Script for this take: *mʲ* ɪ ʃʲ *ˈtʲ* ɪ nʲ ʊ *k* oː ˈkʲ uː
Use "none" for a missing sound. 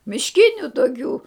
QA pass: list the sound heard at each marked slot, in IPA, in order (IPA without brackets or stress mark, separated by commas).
mʲ, kʲ, t